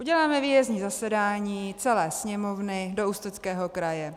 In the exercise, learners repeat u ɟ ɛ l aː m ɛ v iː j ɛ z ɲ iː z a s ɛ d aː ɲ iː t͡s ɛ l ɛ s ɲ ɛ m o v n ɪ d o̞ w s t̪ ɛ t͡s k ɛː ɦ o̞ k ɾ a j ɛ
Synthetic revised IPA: u ɟ ɛ l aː m ɛ v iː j ɛ z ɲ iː z a s ɛ d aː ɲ iː t͡s ɛ l ɛː s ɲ ɛ m o v n ɪ d o̞ u s t̪ ɛ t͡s k ɛː ɦ o̞ k ɾ a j ɛ